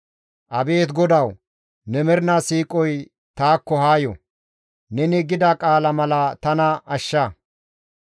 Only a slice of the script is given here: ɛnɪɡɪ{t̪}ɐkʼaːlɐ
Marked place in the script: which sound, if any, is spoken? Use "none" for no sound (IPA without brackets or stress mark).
d̪